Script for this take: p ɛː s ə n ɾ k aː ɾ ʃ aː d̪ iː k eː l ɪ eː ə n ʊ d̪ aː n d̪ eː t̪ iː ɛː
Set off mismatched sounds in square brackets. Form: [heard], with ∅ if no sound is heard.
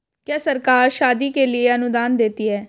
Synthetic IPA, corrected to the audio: [k] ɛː s ə [∅] ɾ k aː ɾ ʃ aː d̪ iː k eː l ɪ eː ə n ʊ d̪ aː n d̪ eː t̪ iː ɛː